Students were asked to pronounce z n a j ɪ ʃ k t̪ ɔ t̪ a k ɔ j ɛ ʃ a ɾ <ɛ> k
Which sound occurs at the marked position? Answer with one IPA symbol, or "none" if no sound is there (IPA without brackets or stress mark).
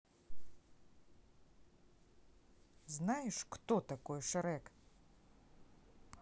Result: ɛ